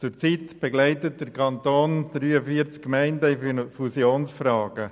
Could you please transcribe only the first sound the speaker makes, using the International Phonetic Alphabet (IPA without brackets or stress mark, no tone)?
t͡s